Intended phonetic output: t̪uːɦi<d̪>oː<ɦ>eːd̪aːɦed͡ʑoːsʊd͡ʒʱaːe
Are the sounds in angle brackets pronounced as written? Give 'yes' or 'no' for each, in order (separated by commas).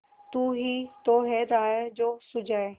no, yes